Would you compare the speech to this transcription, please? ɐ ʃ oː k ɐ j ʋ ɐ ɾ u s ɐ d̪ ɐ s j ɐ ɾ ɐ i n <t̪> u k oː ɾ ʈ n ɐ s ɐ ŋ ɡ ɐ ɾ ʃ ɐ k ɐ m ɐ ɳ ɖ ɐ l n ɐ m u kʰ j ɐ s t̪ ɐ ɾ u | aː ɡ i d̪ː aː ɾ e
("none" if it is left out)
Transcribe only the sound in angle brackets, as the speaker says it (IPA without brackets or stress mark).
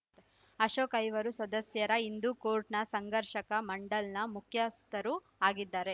d̪